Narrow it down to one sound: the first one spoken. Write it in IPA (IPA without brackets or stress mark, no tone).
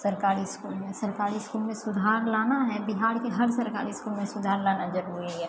s